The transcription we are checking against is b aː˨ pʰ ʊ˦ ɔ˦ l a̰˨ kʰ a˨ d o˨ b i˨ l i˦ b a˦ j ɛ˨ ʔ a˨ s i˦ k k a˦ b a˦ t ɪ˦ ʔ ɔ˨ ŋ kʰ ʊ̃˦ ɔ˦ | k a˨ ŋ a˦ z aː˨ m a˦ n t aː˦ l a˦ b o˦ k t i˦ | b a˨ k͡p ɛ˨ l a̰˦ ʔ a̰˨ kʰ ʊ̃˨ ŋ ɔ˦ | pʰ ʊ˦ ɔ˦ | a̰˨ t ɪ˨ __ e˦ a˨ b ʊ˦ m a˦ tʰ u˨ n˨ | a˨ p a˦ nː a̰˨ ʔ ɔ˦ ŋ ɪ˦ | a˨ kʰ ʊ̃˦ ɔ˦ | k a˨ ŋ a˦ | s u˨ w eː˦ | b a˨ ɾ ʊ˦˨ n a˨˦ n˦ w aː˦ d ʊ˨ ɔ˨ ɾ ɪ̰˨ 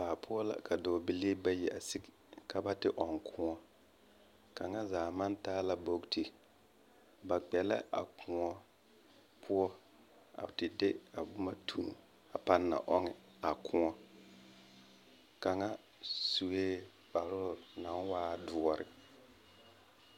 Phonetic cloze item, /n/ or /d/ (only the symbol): d